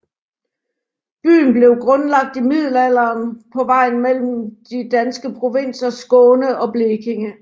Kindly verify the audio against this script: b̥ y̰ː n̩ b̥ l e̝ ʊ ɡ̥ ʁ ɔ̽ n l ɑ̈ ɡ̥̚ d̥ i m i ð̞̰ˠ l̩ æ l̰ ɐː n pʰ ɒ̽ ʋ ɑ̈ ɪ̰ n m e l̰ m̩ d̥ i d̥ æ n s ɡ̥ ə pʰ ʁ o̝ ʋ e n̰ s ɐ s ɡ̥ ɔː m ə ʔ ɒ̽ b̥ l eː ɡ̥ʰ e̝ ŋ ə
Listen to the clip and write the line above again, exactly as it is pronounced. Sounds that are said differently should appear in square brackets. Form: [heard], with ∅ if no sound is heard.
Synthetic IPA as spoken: b̥ y̰ː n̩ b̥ l e̝ ʊ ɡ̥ ʁ ɔ̽ n l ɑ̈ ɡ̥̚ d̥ i m i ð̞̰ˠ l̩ æ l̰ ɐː n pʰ ɒ̽ ʋ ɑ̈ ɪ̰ n m e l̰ m̩ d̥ i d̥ æ n s ɡ̥ ə pʰ ʁ o̝ ʋ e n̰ s ɐ s ɡ̥ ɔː [n] ə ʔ ɒ̽ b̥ l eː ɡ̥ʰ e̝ ŋ ə